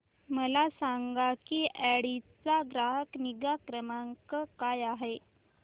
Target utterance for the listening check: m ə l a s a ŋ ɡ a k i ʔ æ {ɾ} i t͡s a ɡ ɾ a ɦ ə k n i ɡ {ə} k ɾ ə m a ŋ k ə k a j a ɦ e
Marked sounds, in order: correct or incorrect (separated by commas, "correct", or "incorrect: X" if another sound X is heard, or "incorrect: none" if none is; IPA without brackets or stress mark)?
incorrect: ɽ, incorrect: a